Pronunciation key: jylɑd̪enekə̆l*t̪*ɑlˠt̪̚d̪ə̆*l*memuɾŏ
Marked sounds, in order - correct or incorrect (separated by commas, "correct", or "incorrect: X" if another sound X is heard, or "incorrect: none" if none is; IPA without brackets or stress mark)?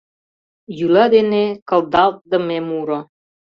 incorrect: d̪, incorrect: none